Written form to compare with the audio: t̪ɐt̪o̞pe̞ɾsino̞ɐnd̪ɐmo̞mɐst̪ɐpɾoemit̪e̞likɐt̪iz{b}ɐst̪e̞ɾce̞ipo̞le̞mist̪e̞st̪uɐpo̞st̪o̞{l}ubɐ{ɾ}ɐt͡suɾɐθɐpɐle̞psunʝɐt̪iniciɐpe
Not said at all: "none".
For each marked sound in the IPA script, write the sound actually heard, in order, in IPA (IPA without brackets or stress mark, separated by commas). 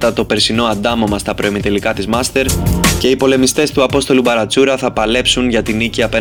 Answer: m, l, ɾ